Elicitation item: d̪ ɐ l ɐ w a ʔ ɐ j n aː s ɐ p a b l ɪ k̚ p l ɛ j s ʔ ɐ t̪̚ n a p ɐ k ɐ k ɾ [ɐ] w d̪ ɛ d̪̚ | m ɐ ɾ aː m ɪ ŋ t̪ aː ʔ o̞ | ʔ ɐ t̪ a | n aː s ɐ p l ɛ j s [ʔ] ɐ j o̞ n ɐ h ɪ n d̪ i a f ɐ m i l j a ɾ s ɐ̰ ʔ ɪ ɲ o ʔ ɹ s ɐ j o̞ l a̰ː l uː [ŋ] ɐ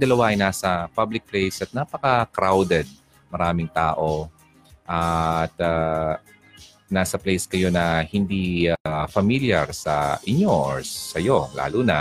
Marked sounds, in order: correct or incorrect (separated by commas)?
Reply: incorrect, incorrect, incorrect